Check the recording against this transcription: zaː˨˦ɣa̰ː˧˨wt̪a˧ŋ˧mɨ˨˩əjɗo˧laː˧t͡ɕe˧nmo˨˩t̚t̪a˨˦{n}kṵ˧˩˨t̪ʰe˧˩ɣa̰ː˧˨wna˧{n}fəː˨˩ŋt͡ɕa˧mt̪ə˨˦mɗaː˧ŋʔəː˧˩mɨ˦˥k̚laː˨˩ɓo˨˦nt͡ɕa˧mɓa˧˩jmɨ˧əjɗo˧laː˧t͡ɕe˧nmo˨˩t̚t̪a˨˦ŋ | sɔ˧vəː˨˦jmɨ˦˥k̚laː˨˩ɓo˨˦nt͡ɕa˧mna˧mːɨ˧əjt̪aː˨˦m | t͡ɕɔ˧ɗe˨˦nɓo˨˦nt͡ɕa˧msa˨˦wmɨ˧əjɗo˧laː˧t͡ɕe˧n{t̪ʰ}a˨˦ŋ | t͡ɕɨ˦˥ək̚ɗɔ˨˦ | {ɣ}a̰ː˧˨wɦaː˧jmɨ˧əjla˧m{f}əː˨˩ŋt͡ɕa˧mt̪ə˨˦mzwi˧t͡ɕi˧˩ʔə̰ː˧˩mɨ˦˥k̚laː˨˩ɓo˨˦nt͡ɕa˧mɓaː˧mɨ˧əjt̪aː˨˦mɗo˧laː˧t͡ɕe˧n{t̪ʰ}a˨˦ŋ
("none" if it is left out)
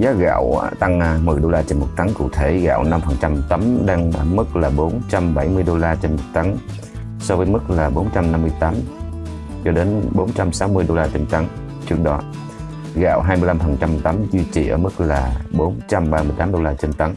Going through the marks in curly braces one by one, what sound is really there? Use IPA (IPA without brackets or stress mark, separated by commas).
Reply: ŋ, m, t̪, ɣ, f, t̪